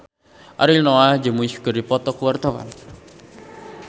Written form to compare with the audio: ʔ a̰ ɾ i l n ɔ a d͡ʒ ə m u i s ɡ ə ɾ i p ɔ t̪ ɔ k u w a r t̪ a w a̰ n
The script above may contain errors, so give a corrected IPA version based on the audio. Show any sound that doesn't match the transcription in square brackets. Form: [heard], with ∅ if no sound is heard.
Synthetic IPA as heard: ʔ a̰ ɾ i l n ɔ a d͡ʒ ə m u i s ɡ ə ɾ i p ɔ t̪ ɔ k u w a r t̪ a w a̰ n